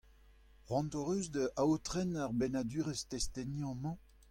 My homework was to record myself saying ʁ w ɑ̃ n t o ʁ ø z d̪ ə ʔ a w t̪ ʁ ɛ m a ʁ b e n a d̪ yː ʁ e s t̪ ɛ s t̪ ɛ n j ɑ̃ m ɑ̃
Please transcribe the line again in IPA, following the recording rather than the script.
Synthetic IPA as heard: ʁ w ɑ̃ n t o ʁ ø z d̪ ə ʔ a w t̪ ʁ ɛ n a ʁ b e n a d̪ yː ʁ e s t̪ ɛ s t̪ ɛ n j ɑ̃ m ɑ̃